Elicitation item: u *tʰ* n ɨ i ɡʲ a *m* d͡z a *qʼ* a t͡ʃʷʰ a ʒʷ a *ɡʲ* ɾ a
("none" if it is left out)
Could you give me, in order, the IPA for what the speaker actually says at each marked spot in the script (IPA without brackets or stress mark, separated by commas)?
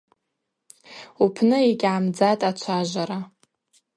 pʰ, m, tʼ, none